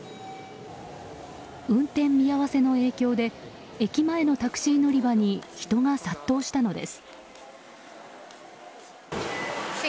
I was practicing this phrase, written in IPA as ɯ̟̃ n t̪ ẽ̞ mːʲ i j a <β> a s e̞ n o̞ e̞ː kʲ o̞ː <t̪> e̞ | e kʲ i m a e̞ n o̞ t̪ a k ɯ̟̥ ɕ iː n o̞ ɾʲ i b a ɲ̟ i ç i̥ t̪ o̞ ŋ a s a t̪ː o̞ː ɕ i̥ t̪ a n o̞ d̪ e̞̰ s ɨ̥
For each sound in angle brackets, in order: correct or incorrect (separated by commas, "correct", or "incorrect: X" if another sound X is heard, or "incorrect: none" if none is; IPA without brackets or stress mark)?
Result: correct, incorrect: d̪